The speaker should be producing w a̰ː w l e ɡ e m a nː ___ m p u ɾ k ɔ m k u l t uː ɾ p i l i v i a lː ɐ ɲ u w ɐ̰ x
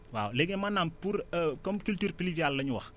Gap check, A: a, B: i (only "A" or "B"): A